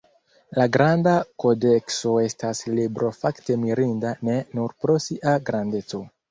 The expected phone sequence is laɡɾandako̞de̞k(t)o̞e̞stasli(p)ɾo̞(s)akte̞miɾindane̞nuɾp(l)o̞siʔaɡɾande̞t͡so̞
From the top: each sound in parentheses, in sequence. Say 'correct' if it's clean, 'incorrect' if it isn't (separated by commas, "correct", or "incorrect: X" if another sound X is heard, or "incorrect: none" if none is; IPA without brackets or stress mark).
incorrect: s, incorrect: b, incorrect: f, incorrect: ɾ